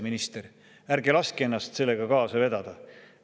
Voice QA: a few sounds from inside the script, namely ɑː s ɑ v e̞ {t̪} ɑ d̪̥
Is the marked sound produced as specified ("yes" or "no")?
no